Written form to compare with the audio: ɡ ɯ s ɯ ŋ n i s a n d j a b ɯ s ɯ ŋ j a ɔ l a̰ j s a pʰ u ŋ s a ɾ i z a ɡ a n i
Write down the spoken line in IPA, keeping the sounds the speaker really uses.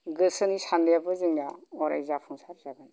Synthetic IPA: ɡ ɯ s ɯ n i s a n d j a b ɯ z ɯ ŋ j a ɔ ɾ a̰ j z a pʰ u ŋ s a ɾ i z a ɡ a n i